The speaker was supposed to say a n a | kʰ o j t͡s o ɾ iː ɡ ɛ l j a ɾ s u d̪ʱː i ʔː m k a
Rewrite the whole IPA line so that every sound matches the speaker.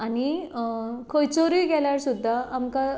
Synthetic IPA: a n i | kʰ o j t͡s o ɾ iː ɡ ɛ l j a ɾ s u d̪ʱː a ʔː m k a